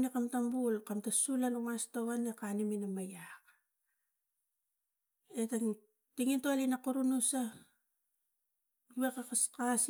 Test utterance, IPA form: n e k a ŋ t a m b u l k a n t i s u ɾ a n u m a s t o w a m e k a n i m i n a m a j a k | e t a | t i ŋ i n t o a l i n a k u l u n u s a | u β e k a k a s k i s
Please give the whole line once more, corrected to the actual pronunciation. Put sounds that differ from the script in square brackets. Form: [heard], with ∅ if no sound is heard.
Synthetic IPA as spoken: n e k a [m] t a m b u l k a [m] t [a] s u [l] a n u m a s t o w a [n] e k a n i m i n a m a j a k | e t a | t i ŋ i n t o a l i n a k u [ɾ] u n u s a | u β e k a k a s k [a] s